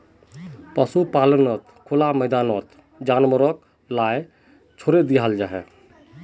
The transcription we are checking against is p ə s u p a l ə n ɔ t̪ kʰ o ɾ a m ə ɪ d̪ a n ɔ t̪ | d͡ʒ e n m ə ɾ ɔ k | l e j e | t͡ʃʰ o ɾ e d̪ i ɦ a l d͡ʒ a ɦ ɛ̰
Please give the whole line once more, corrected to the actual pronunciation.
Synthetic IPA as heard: p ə s u p a l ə n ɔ t̪ kʰ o l a m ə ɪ d̪ a n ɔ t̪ | d͡ʒ a n m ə ɾ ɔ k | l a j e | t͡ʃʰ o ɾ e d̪ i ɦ a l d͡ʒ a ɦ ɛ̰

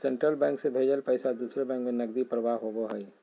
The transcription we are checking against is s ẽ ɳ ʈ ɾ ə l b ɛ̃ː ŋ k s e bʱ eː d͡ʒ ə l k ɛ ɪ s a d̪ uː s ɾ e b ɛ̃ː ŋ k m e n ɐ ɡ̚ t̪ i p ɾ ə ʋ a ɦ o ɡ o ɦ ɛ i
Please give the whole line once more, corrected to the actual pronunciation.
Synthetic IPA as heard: s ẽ ɳ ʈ ɾ ə l b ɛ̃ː ŋ k s e bʱ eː d͡ʒ ə l p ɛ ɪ s a d̪ uː s ɾ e b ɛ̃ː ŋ k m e n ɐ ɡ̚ d̪ i p ɾ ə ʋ a ɦ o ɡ o ɦ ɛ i

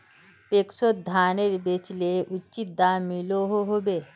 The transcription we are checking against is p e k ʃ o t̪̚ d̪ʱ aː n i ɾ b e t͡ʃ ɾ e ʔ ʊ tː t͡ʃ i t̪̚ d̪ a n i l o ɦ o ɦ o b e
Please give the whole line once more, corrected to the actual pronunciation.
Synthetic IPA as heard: p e k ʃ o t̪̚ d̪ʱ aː n e ɾ b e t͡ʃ l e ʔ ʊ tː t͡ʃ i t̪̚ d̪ a m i l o ɦ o ɦ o b e

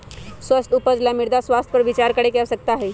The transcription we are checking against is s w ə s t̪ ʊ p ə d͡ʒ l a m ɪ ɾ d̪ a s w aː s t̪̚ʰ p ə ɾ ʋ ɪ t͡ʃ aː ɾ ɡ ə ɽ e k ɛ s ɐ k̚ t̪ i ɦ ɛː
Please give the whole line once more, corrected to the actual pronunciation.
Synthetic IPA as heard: s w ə s t̪ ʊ p ə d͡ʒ l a m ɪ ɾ d̪ a s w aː s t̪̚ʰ p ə ɾ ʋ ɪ t͡ʃ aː ɾ k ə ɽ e k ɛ s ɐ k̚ t̪ a ɦ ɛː

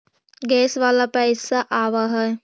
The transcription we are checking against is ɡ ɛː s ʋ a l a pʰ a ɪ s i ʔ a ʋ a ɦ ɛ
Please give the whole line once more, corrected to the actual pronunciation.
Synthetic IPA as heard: ɡ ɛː s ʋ a l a p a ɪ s a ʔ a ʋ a ɦ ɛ

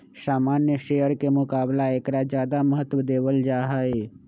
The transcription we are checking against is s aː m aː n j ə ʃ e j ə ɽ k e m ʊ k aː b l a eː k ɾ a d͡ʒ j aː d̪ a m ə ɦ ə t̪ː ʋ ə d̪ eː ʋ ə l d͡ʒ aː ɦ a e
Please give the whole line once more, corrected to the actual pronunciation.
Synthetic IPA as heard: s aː m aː n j ə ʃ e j ə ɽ k e m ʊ k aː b l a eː k ɾ a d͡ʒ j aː d̪ a m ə ɦ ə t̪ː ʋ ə d̪ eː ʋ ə l d͡ʒ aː ɦ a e

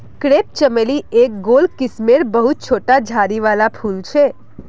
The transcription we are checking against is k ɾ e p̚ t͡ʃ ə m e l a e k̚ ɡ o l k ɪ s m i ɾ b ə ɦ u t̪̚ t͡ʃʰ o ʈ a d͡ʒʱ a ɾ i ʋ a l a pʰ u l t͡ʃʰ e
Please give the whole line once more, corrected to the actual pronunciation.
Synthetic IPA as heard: k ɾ e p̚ t͡ʃ ə m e l i e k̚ ɡ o l k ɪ s m e ɾ b ə ɦ u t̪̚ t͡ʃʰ o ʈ a d͡ʒʱ a ɾ i ʋ a l a pʰ u l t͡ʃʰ e

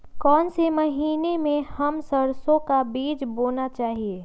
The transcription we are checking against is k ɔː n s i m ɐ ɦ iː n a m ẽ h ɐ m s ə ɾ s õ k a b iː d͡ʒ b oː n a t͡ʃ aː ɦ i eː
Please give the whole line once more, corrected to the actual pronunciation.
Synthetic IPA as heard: k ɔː n s e m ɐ ɦ iː n e m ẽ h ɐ m s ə ɾ s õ k a b iː d͡ʒ b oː n a t͡ʃ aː ɦ i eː

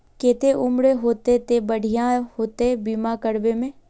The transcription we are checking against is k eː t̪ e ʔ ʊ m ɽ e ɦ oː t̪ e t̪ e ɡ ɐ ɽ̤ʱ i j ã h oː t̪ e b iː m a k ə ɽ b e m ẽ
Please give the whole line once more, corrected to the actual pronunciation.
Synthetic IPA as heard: k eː t̪ e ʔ ʊ m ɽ e ɦ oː t̪ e t̪ e b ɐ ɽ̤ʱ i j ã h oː t̪ e b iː m a k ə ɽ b e m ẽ

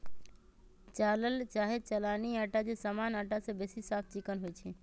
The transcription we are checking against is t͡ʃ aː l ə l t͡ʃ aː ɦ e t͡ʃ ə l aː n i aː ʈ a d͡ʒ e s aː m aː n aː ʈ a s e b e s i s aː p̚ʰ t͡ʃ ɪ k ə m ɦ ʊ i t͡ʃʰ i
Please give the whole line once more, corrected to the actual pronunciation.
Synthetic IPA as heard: t͡ʃ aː l ə l t͡ʃ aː ɦ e t͡ʃ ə l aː n i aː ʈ a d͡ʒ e s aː m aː n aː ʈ a s e b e s i s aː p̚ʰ t͡ʃ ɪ k ə n ɦ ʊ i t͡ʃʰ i

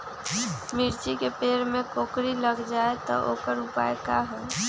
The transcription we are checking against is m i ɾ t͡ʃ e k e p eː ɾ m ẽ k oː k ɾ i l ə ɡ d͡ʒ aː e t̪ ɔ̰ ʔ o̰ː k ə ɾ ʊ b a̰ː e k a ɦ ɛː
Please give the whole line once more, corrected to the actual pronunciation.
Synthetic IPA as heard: m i ɾ t͡ʃ i k e p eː ɾ m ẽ k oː k ɾ i l ə ɡ d͡ʒ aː e t̪ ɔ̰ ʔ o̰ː k ə ɾ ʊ p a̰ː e k a ɦ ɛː

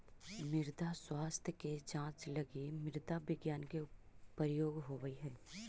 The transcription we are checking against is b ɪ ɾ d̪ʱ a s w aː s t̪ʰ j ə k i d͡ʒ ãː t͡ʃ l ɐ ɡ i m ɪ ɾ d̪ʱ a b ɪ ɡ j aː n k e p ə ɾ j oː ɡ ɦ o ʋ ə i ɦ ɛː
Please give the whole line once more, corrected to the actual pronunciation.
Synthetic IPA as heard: m ɪ ɾ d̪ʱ a s w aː s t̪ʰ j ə k e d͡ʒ ãː t͡ʃ l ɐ ɡ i m ɪ ɾ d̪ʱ a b ɪ ɡ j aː n k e p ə ɾ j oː ɡ ɦ o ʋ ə i ɦ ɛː

